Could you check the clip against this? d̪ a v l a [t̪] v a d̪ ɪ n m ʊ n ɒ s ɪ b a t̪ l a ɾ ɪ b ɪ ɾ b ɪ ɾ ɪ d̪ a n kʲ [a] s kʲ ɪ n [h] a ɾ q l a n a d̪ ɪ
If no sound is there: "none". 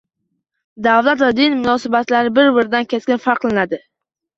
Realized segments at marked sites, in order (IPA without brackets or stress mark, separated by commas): t̪, e, f